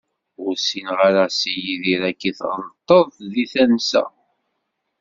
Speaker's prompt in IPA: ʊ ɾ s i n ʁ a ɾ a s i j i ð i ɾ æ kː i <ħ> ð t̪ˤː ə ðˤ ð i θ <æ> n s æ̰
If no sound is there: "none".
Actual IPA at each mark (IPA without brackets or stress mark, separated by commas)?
θ, æ